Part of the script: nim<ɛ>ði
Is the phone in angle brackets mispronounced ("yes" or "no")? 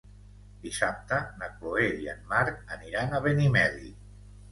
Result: no